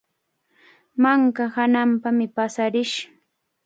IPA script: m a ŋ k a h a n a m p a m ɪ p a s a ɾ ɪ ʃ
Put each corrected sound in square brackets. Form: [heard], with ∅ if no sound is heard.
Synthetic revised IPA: m a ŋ k a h a n a m p a m ɪ p a s a ɾ ɪ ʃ